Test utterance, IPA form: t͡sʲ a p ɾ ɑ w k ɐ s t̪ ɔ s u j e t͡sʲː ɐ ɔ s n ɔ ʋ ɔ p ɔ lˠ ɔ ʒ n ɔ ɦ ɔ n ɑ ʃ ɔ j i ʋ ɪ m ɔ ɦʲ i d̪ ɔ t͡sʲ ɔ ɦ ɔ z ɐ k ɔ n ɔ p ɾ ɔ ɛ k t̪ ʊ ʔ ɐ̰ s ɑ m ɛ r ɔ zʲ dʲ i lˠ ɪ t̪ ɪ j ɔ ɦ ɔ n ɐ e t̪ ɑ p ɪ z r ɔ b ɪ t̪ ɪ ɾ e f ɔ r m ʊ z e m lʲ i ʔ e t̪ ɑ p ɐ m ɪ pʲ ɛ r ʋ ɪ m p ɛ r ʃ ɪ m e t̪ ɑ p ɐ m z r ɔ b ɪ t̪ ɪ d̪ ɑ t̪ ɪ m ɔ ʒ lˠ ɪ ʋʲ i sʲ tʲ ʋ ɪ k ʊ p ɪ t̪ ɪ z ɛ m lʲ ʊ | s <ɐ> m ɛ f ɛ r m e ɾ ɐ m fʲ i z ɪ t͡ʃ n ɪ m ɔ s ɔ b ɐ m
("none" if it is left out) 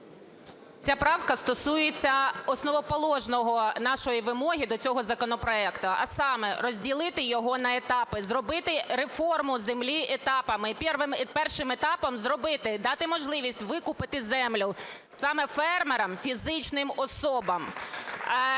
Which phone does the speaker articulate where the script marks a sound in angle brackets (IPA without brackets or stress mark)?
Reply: ɑ